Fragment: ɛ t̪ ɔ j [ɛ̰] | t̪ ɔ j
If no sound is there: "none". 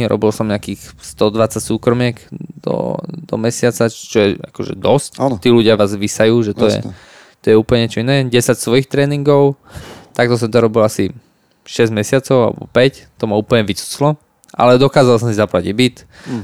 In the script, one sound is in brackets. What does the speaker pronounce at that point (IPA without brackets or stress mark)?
ɛ̰